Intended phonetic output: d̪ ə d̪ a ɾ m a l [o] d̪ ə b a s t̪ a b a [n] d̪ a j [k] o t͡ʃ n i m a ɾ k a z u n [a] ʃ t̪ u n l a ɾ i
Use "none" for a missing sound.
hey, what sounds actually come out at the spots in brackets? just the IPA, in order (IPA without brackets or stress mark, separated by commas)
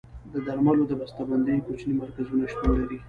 o, n, k, a